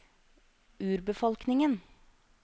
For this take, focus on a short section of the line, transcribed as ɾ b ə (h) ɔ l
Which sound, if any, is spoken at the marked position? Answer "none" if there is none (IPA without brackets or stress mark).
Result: f